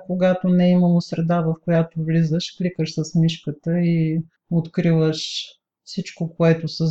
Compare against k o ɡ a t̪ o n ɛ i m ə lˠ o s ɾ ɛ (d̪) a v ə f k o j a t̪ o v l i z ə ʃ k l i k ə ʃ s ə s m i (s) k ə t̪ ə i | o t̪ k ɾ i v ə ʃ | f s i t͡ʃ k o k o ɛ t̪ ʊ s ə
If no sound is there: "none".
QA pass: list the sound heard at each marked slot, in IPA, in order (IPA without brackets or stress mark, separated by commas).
d̪, ʃ